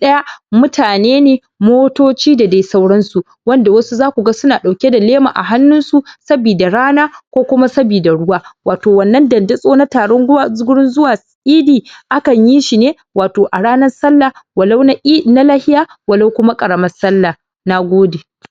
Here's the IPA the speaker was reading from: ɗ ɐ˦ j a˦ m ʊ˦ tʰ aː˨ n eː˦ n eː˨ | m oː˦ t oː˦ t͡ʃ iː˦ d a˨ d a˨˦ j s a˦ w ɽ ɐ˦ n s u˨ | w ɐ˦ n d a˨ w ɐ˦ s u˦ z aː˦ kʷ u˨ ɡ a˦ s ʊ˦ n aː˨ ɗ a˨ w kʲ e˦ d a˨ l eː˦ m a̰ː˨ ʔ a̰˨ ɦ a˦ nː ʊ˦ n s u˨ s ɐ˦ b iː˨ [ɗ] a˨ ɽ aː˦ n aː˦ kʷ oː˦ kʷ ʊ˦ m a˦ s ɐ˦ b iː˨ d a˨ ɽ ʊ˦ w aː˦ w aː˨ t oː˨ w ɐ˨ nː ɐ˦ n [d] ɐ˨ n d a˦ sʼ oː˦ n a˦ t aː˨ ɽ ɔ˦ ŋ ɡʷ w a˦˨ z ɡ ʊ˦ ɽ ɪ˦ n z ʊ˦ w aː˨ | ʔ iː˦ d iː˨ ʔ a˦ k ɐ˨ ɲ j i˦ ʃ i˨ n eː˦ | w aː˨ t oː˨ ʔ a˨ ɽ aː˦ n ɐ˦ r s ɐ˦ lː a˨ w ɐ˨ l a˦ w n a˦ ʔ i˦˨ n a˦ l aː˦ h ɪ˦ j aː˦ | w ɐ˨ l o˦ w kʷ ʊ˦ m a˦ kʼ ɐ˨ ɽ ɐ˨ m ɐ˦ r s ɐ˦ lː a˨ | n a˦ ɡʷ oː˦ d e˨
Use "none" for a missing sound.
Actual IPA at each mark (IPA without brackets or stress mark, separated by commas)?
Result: d, d